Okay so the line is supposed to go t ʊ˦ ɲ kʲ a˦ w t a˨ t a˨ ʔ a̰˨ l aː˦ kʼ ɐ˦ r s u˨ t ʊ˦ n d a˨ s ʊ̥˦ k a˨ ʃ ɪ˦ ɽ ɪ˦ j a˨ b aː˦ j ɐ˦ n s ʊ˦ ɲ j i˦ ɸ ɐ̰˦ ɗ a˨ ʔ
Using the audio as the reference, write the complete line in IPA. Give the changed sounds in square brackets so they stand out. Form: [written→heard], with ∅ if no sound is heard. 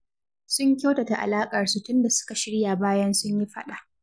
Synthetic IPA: [t→s] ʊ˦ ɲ kʲ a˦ w t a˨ t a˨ ʔ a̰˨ l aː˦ kʼ [ɐ˦→ɐ˨] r s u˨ t ʊ˦ n d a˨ s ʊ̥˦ k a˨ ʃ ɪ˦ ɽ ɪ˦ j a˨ b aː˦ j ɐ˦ n s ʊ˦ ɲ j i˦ ɸ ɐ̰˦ ɗ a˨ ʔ